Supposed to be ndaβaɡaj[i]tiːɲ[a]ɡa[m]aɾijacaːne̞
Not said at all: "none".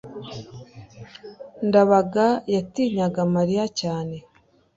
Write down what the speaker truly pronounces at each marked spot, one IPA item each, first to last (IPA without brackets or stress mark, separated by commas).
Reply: a, a, m